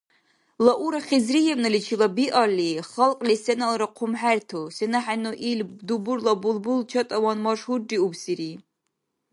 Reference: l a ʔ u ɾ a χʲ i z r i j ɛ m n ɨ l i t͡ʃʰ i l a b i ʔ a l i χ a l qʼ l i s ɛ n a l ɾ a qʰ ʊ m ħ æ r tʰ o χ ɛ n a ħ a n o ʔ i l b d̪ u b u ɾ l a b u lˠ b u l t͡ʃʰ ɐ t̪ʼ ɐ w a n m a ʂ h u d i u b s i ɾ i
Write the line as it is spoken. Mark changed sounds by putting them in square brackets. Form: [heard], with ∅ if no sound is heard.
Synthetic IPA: l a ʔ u ɾ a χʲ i z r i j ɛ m n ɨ l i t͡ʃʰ i l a b i ʔ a l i χ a l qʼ l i s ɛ n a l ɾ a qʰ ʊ m ħ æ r tʰ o [s] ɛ n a ħ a n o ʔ i l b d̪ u b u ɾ l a b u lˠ b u l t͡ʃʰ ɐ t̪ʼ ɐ w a n m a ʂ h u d i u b s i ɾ i

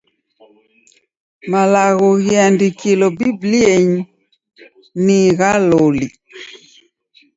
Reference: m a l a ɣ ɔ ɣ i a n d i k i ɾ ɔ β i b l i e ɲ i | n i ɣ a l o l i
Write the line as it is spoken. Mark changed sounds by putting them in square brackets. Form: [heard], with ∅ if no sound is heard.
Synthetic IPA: m a l a ɣ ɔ ɣ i a n d i k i [l] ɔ [b] i b l i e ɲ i | n i ɣ a l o l i

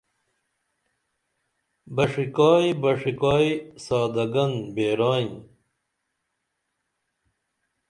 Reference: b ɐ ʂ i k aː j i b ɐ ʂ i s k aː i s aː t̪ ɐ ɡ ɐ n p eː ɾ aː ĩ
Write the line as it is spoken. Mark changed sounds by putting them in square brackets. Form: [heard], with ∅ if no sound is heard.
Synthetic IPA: b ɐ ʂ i k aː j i b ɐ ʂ i [∅] k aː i s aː [d̪] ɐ ɡ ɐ n [b] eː ɾ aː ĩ

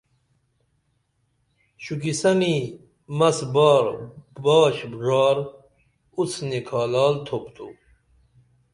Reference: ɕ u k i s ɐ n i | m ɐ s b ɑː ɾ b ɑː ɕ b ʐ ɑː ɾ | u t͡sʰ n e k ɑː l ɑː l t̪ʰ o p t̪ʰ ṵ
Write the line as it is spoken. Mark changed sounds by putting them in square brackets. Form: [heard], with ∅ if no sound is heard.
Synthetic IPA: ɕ u k i s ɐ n i | m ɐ s b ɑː ɾ b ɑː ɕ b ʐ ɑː ɾ | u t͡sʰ n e [kʰ] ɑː l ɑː l t̪ʰ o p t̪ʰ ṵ

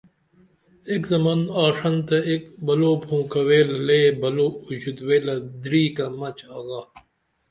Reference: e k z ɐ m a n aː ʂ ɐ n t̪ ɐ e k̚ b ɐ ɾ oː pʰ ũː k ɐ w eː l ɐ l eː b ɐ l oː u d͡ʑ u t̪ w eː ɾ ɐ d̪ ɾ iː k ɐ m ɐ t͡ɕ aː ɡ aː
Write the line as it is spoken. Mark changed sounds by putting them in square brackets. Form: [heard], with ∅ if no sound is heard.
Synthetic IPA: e k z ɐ m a n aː ʂ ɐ n t̪ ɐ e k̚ b ɐ [l] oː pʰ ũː k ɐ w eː l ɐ l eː b ɐ l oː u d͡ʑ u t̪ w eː [l] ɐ d̪ ɾ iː k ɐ m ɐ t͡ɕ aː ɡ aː

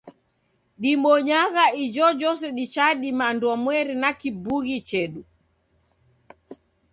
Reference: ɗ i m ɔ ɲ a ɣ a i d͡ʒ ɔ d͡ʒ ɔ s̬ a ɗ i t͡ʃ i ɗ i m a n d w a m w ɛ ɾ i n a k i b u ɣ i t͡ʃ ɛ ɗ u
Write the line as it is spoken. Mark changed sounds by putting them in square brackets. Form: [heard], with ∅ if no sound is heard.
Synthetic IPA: ɗ i m ɔ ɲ a ɣ a i d͡ʒ ɔ d͡ʒ ɔ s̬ [ɛ] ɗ i t͡ʃ [a] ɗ i m a n d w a m w ɛ ɾ i n a k i b u ɣ i t͡ʃ ɛ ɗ u

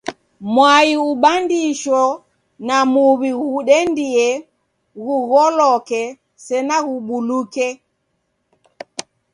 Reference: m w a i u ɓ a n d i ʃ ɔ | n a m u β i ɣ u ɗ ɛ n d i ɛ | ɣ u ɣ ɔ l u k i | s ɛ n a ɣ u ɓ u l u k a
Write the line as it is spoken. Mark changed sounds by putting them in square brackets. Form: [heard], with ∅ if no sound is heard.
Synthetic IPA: m w a i u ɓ a n d i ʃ ɔ | n a m u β i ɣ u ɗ ɛ n d i ɛ | ɣ u ɣ ɔ l [ɔ] k [ɛ] | s ɛ n a ɣ u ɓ u l u k [ɛ]

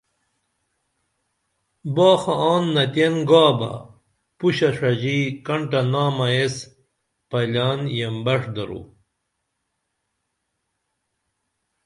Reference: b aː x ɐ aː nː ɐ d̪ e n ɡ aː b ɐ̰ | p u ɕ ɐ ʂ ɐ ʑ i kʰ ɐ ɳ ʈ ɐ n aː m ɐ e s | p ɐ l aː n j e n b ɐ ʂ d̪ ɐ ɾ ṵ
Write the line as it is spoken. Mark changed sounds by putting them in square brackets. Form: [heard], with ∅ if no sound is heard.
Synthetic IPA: b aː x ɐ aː nː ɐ [t̪] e n ɡ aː b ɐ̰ | p u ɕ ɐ ʂ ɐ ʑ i [k] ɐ ɳ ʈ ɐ n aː m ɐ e s | p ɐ l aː n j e [m] b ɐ ʂ d̪ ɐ ɾ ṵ

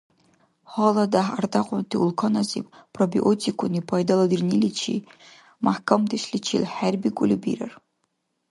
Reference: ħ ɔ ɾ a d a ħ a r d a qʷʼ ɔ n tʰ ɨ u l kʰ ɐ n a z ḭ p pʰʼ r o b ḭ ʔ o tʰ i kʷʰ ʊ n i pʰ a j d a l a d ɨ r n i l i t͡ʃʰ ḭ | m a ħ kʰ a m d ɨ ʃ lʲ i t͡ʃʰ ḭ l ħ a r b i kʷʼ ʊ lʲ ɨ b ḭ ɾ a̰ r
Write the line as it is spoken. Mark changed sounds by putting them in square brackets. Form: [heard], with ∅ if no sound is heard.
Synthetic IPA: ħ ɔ [l] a d a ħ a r d a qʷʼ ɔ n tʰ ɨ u l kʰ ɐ n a z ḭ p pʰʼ r o b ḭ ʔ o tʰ i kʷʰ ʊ n i pʰ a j d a l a d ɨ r n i l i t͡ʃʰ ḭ | m a ħ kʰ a m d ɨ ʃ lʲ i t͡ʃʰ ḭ l ħ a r b i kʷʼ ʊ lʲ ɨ b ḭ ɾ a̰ r

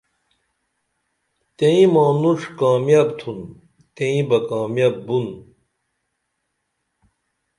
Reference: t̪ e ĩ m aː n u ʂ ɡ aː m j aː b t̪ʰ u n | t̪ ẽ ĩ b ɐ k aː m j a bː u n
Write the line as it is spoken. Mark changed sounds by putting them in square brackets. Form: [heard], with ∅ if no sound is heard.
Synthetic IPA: t̪ e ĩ m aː n u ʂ [k] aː m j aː b t̪ʰ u n | t̪ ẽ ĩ b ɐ k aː m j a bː u n

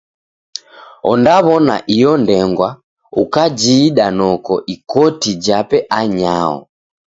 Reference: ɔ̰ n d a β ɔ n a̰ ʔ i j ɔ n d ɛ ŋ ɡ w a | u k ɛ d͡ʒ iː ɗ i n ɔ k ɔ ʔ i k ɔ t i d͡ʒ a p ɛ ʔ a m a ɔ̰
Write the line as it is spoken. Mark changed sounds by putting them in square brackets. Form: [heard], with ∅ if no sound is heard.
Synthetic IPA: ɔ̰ n d a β ɔ n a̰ ʔ i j ɔ n d ɛ ŋ ɡ w a | u k [a] d͡ʒ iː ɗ [a] n ɔ k ɔ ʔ i k ɔ t i d͡ʒ a p ɛ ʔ a [ɲ] a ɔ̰

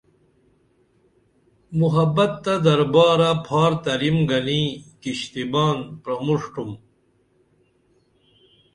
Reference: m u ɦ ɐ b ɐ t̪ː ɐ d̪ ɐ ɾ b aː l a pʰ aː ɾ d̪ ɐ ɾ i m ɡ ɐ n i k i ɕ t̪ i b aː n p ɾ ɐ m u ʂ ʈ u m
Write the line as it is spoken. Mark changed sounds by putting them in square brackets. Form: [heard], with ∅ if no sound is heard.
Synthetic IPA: m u ɦ ɐ b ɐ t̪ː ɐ d̪ ɐ ɾ b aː [ɾ] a pʰ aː ɾ [t̪] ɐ ɾ i m ɡ ɐ n i k i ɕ t̪ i b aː n p ɾ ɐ m u ʂ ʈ u m

